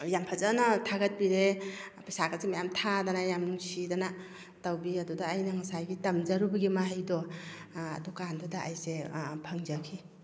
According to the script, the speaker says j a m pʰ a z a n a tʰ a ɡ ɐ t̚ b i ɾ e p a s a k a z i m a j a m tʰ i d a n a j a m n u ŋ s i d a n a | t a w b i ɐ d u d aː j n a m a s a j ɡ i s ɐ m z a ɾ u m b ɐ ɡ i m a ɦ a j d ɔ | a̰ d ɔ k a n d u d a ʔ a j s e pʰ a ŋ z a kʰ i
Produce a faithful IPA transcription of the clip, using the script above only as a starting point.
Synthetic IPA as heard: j a m pʰ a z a n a tʰ a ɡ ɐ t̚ b i ɾ e p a s a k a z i m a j a m tʰ a d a n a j a m n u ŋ s i d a n a | t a w b i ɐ d u d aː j n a ŋ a s a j ɡ i t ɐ m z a ɾ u b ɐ ɡ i m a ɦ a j d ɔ | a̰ d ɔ k a n d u d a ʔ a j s e pʰ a ŋ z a kʰ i